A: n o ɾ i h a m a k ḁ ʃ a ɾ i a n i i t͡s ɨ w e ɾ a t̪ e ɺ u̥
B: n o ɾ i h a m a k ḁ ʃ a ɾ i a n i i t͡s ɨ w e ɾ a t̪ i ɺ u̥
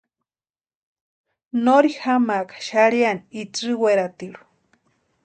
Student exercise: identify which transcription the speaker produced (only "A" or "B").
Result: B